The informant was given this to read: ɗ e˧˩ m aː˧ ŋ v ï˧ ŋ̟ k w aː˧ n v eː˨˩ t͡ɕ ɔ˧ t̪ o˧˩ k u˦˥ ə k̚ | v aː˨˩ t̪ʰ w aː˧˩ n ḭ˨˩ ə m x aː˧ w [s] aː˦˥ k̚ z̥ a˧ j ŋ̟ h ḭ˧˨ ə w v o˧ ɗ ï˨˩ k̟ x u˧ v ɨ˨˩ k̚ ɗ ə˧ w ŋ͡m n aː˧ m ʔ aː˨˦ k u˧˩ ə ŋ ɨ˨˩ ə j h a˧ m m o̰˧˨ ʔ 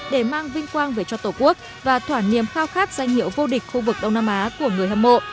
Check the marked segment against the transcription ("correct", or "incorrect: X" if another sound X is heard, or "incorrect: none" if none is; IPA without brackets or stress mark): incorrect: x